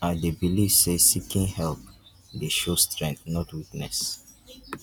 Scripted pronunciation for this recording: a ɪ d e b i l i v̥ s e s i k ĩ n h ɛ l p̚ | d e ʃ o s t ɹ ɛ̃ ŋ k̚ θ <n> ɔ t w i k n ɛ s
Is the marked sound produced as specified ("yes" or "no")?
yes